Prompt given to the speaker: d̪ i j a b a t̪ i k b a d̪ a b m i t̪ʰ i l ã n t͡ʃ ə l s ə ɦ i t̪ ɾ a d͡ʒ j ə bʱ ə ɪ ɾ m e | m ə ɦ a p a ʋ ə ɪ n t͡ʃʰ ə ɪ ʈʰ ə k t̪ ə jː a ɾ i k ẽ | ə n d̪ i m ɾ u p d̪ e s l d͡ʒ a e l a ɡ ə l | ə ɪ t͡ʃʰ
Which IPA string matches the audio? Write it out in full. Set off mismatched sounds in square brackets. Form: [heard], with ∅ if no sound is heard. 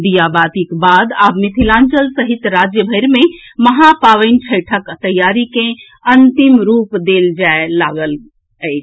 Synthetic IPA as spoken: d̪ i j a b a t̪ i k b a d̪ a b m i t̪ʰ i l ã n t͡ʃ ə l s ə ɦ i t̪ ɾ a d͡ʒ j ə bʱ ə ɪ ɾ m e | m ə ɦ a p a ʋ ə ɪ n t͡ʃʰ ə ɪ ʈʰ ə k t̪ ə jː a ɾ i k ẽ | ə n [t̪] i m ɾ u p d̪ e [∅] l d͡ʒ a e l a ɡ ə l | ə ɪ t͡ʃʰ